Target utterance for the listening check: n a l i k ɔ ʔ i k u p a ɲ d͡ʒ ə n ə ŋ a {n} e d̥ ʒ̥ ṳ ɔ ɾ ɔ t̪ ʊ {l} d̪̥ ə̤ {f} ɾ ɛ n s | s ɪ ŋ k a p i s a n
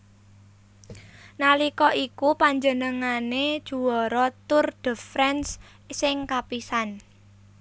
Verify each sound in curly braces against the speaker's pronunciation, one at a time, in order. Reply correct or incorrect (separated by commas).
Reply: correct, incorrect, correct